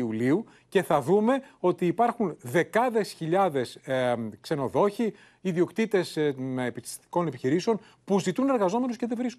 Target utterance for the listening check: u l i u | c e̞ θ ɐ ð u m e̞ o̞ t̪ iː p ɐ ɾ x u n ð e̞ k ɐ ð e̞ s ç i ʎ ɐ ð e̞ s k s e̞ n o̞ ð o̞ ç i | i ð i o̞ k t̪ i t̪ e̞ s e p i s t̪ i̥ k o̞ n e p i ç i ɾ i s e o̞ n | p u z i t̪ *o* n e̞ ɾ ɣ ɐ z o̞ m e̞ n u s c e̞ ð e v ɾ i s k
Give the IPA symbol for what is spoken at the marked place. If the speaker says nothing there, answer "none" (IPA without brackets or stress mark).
u